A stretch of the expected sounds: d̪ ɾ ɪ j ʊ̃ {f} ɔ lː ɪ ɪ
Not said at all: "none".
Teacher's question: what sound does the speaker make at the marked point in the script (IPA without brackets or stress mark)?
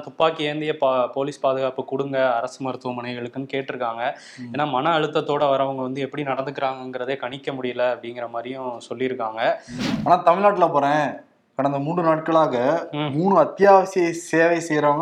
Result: s